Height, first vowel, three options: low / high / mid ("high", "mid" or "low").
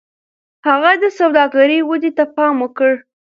low